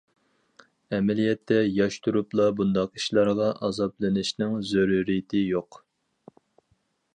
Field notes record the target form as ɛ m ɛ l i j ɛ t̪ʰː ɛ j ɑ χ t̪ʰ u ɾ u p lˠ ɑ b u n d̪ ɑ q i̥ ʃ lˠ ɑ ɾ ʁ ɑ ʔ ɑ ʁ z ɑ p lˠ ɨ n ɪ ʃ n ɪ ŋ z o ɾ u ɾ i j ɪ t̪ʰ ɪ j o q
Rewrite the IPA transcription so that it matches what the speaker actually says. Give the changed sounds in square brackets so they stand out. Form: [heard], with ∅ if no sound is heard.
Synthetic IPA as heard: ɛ m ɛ l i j ɛ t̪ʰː ɛ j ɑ [ʃ] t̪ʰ u ɾ u p lˠ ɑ b u n d̪ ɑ q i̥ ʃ lˠ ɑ ɾ ʁ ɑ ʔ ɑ [∅] z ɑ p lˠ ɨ n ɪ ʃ n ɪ ŋ z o ɾ u ɾ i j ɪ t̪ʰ ɪ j o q